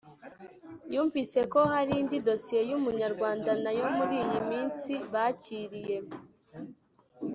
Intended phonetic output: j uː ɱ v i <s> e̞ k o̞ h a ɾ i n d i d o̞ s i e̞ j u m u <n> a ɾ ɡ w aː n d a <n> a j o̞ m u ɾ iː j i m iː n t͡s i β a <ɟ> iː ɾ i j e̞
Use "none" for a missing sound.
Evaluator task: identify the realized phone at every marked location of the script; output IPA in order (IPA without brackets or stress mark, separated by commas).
s, ɲ, n, c